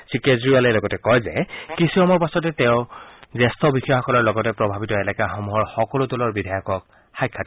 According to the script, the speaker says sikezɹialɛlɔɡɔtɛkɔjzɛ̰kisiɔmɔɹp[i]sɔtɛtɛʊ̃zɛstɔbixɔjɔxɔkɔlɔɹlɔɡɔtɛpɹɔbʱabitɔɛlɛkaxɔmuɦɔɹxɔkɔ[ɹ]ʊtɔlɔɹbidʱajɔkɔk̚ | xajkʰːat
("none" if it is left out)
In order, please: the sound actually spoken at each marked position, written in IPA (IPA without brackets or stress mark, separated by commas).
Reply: a, l